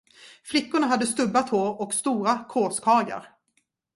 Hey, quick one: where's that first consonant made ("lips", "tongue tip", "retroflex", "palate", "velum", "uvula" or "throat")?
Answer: lips